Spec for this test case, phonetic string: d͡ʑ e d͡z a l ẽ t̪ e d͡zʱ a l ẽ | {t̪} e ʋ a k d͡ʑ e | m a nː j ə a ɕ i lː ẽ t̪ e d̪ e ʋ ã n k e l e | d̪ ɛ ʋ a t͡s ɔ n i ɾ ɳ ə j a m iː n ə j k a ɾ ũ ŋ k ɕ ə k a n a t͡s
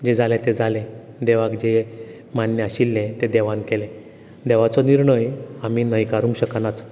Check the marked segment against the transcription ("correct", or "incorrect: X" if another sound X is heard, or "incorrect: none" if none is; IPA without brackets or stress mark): incorrect: d̪